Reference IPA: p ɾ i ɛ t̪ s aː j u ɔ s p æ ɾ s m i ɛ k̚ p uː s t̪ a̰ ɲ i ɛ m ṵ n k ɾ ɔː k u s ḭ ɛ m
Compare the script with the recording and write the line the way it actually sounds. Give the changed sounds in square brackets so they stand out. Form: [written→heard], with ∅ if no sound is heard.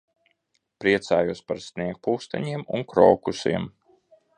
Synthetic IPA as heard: p ɾ i ɛ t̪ s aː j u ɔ s p [æ→a] ɾ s [m→n] i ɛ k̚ p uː s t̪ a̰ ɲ i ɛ m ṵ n k ɾ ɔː k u s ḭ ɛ m